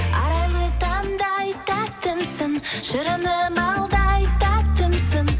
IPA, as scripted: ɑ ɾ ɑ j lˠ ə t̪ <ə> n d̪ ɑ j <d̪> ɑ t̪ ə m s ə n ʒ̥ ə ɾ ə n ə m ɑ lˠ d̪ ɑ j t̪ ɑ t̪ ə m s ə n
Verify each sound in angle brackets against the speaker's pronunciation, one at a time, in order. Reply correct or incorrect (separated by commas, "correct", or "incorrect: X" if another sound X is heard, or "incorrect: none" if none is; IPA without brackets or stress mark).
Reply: incorrect: ɑ, incorrect: t̪